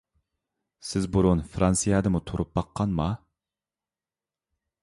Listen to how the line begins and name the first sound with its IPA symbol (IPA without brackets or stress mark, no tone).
s